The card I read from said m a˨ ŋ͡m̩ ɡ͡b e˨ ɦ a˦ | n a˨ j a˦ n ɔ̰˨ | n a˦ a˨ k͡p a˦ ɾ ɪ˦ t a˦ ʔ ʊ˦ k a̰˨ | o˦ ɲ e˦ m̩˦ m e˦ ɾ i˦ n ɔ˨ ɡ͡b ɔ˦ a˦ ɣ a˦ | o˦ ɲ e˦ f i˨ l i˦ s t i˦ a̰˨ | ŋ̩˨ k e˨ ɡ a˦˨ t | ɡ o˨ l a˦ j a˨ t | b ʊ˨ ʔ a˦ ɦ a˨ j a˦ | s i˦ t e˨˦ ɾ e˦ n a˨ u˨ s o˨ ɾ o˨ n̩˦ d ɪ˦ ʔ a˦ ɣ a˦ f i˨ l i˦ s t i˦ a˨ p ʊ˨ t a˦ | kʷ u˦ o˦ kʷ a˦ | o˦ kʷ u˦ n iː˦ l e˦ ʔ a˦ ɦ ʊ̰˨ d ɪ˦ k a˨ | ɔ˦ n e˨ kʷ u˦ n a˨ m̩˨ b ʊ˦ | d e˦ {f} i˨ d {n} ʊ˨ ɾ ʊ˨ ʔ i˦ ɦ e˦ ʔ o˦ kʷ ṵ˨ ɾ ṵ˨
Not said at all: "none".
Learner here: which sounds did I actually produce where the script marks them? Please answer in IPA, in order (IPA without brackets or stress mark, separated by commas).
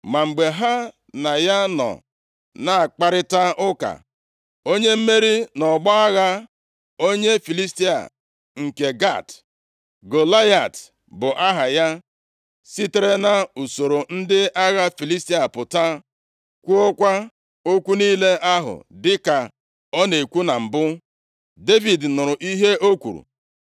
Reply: v, n